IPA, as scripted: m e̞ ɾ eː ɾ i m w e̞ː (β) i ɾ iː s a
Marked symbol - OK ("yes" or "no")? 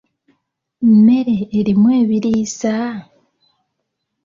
yes